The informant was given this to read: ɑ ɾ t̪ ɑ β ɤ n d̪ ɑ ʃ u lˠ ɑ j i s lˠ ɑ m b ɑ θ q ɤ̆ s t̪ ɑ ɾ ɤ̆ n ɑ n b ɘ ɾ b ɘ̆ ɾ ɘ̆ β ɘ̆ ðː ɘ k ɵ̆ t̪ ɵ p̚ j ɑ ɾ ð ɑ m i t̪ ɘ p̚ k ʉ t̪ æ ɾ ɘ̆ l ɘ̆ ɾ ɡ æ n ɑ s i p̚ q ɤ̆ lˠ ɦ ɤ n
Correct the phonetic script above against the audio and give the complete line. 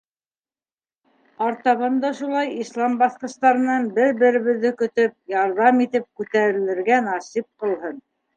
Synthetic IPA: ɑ ɾ t̪ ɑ β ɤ n d̪ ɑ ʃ u lˠ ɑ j i s lˠ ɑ m b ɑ θ q ɤ̆ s t̪ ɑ ɾ ɤ̆ n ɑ n b ɘ ɾ b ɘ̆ ɾ ɘ̆ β ɘ̆ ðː ɘ k ɵ̆ t̪ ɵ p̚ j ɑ ɾ ð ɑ m i t̪ ɘ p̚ k ʉ t̪ æ ɾ ɘ̆ l ɘ̆ ɾ ɡ æ n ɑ s i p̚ q ɤ̆ lˠ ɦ ɤ n